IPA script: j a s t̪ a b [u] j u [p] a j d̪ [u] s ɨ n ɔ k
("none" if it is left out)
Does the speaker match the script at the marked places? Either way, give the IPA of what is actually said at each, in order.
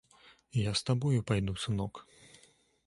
ɔ, p, u

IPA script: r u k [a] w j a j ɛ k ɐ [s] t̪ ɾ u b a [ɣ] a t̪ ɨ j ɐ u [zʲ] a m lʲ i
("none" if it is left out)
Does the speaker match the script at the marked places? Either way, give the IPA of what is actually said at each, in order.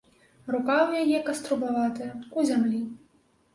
a, s, v, zʲ

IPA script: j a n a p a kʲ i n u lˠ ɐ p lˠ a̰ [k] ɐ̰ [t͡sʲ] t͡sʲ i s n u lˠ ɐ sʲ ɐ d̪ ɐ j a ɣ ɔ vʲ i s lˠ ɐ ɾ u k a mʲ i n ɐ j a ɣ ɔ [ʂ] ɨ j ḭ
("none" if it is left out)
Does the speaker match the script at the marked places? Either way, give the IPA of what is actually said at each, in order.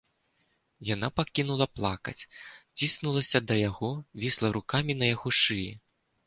k, t͡sʲ, ʂ

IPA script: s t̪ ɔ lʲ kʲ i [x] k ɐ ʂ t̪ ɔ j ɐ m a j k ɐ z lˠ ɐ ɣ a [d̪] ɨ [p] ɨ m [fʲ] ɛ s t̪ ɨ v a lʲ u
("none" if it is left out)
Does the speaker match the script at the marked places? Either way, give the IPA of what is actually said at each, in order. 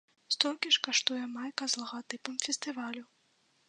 ʂ, t̪, p, fʲ

